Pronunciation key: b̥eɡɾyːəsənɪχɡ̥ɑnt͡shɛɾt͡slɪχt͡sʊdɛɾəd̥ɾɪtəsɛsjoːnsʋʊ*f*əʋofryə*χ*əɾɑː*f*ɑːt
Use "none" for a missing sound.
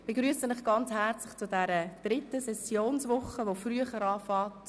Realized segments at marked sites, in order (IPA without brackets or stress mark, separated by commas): χ, χ, f